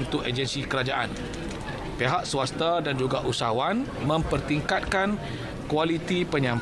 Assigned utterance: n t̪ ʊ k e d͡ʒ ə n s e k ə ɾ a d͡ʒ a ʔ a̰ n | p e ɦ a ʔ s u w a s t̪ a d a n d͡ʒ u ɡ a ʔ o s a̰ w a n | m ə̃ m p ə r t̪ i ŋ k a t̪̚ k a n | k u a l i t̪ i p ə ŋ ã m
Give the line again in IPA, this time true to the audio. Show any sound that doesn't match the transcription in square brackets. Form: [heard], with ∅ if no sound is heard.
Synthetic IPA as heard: n t̪ ʊ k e d͡ʒ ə n s [i] k ə ɾ a d͡ʒ a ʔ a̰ n | p e ɦ a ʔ s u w a s t̪ a d a n d͡ʒ u ɡ a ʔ [u] s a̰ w a n | m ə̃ m p ə r t̪ i ŋ k a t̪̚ k a n | k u a l i t̪ i p ə [ɲ] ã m